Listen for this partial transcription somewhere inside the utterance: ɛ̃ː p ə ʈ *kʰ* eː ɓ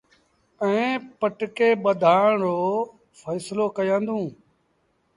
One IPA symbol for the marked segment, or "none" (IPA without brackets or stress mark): k